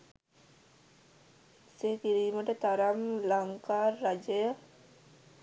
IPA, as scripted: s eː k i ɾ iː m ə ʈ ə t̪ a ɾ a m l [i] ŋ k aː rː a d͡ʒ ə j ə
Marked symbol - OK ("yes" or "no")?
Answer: no